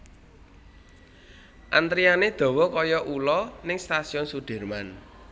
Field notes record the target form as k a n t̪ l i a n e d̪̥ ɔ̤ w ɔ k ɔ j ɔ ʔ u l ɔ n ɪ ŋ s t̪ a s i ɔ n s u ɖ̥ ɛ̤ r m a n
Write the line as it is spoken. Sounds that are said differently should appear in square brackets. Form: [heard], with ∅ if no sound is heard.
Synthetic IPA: [ʔ] a n t̪ [ɾ] i a n e d̪̥ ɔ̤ w ɔ k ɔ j ɔ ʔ u l ɔ n ɪ ŋ s t̪ a s i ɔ n s u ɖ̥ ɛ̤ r m a n